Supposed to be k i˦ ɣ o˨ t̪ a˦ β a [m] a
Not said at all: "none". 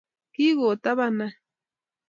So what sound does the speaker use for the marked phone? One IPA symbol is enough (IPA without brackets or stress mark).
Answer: n